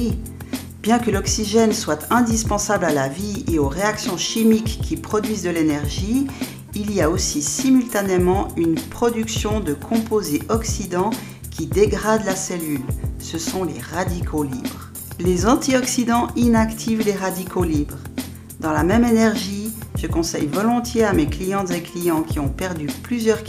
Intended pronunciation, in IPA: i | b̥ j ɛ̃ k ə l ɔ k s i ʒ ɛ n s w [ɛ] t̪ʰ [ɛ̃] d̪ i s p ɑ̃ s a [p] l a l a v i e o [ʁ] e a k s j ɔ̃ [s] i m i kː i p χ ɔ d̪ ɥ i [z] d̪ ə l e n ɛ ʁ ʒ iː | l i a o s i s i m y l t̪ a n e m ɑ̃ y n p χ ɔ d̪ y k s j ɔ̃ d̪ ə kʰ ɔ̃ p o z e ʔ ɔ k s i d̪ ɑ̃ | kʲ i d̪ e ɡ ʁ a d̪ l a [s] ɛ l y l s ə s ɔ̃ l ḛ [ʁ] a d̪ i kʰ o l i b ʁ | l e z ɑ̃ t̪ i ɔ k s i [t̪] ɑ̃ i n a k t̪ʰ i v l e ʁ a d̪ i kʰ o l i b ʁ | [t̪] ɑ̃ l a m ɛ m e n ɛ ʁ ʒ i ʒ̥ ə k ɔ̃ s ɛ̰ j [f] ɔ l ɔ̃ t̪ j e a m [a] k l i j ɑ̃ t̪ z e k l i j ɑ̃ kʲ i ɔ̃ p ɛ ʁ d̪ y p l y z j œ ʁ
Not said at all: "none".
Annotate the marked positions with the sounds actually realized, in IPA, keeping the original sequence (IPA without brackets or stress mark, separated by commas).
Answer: a, ɛ̃, b, ʁ, ʃ, z, s, ʁ, d̪, d̪, v, e